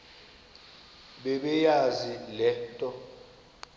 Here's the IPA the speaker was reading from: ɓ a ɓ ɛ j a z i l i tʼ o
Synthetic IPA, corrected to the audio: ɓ ɛ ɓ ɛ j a z i l ɛ tʼ ɔ